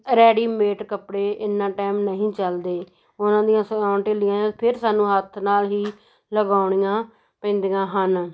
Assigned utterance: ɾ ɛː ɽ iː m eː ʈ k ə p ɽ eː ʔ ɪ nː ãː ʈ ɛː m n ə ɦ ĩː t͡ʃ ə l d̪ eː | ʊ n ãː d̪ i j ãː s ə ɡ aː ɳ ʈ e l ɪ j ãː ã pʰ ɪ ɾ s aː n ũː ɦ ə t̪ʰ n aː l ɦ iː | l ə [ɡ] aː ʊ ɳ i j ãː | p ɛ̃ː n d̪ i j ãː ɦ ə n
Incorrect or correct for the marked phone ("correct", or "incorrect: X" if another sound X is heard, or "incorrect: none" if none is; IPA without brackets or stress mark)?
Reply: correct